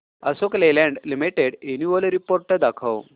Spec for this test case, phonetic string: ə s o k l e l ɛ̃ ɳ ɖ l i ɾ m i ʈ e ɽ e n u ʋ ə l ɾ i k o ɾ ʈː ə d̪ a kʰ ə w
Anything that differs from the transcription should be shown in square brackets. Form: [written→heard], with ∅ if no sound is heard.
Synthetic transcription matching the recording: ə s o k l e l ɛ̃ ɳ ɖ l i [ɾ→∅] m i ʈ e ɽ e n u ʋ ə l ɾ i [k→p] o ɾ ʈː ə d̪ a kʰ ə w